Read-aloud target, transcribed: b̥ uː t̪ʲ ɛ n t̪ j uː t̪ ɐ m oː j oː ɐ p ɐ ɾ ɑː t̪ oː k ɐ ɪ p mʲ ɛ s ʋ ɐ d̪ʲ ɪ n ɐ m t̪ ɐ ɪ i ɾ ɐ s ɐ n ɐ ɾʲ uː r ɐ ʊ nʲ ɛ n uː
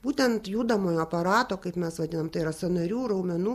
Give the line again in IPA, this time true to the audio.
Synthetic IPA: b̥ uː t̪ʲ ɛ n t̪ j uː d̪ ɐ m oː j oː ɐ p ɐ ɾ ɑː t̪ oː k ɐ ɪ p mʲ ɛ s ʋ ɐ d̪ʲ ɪ n ɐ m t̪ ɐ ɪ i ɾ ɐ s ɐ n ɐ ɾʲ uː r ɐ ʊ mʲ ɛ n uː